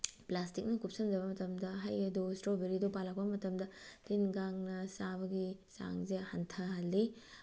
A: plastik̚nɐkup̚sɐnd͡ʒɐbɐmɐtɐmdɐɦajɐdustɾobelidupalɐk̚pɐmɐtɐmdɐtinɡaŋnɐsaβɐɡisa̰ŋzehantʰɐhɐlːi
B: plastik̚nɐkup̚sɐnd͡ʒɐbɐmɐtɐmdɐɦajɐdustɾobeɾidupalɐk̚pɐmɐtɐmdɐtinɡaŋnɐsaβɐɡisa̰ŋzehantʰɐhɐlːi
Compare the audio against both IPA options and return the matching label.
B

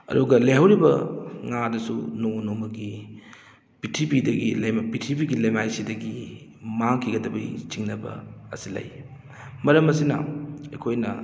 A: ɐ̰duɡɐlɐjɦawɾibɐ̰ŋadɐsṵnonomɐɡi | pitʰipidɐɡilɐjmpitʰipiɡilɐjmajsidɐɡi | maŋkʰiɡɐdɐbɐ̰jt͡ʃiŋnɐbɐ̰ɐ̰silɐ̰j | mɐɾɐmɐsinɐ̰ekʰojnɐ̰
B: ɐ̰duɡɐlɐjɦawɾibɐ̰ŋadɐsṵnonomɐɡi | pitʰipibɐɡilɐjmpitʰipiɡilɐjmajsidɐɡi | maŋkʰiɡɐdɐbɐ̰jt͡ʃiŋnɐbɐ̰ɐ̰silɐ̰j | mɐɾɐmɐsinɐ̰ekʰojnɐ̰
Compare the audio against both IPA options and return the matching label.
A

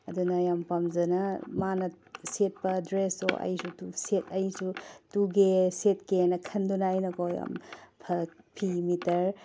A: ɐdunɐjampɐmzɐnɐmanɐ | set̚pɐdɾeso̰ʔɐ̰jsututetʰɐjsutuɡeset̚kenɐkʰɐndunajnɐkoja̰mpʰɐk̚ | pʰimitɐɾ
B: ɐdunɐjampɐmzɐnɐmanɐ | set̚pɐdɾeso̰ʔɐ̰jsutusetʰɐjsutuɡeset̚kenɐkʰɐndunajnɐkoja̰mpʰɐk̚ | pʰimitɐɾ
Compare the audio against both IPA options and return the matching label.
B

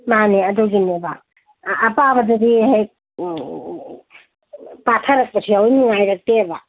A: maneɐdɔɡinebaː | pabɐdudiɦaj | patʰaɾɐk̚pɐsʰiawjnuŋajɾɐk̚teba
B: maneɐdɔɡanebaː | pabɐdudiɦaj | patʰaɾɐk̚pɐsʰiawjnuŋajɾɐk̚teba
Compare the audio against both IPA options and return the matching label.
A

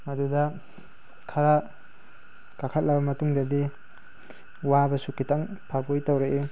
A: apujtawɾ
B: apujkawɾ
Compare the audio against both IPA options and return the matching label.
A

